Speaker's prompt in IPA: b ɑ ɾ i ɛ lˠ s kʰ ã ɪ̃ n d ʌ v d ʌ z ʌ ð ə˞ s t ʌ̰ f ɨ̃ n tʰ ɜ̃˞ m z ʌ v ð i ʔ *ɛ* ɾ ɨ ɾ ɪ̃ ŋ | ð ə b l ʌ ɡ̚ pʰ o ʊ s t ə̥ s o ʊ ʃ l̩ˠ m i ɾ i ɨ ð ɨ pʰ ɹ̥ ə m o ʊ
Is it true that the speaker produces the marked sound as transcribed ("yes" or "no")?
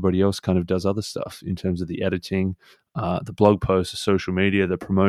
yes